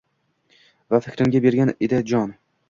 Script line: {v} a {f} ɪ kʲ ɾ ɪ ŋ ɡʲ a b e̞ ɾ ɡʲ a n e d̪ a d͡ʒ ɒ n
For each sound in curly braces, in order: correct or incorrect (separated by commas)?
correct, correct